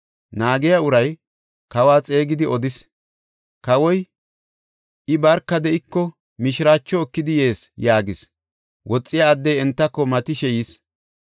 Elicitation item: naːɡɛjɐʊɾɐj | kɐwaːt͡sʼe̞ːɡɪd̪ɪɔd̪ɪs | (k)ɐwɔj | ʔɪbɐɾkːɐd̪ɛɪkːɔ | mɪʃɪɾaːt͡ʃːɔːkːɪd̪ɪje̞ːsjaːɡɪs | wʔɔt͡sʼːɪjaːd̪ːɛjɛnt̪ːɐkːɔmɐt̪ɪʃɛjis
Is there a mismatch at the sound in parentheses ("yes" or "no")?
no